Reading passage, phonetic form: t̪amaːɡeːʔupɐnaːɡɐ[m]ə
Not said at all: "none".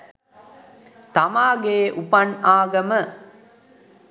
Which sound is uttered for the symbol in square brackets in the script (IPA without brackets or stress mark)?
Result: m